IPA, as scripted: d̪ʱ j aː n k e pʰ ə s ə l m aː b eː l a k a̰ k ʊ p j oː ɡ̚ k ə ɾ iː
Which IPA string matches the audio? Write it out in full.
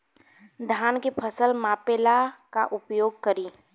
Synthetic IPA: d̪ʱ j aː n k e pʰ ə s ə l m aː p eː l a k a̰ ʔ ʊ p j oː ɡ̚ k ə ɾ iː